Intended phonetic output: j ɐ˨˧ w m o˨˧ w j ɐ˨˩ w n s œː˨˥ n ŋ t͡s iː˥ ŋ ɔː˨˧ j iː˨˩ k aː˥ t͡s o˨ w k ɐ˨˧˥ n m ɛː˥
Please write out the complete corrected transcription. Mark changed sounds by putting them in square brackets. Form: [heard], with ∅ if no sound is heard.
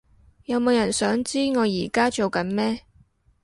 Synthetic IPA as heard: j ɐ˨˧ w m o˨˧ w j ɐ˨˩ [∅] n s œː˨˥ [∅] ŋ t͡s iː˥ ŋ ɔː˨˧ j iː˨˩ k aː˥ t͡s o˨ w k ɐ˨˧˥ n m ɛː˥